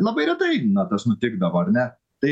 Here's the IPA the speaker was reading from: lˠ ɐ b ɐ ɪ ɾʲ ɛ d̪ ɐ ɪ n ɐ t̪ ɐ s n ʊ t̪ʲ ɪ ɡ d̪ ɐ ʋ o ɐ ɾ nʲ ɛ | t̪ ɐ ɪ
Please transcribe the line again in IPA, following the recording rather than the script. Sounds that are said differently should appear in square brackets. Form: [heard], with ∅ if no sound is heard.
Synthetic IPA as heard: lˠ ɐ b ɐ ɪ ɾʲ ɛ [t̪] ɐ ɪ n ɐ t̪ ɐ s n ʊ t̪ʲ ɪ ɡ d̪ ɐ ʋ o ɐ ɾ nʲ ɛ | t̪ ɐ ɪ